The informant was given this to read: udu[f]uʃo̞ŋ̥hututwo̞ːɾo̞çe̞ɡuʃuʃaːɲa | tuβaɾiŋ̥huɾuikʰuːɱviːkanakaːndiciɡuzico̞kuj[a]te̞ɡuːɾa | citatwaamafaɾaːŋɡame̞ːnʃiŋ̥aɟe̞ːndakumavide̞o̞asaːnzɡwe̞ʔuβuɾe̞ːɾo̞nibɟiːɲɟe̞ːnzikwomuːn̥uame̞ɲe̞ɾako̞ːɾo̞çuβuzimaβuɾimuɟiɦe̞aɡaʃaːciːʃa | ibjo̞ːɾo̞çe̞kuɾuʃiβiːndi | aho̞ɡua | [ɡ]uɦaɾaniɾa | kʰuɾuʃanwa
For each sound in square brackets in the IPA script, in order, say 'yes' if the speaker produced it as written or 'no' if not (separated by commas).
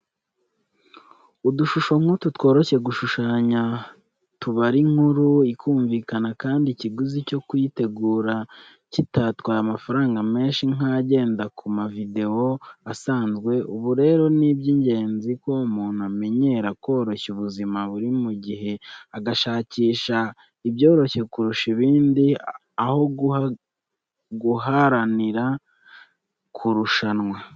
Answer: no, no, yes